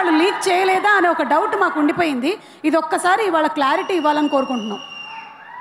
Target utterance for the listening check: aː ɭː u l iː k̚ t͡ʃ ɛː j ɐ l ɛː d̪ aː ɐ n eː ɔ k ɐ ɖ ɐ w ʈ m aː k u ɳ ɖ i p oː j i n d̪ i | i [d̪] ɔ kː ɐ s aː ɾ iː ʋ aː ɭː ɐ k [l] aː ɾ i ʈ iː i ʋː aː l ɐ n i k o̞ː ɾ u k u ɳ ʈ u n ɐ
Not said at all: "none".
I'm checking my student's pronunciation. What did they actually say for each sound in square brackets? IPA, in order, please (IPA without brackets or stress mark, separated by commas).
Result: d̪, l